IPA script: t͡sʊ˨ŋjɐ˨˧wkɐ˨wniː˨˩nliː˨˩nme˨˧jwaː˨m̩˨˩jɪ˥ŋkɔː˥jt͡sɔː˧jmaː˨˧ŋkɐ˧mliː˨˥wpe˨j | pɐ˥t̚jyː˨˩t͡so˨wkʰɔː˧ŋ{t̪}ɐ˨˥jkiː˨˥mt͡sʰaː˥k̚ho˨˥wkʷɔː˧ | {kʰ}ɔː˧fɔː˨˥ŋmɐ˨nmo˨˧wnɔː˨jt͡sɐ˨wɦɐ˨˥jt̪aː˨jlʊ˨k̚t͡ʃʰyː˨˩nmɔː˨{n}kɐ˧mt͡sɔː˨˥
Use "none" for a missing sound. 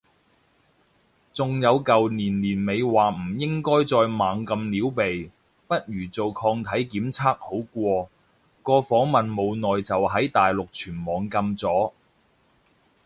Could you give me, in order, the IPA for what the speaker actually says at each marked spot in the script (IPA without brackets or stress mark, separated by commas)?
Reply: t̪ʰ, k, ŋ